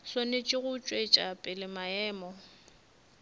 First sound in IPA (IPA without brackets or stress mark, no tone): s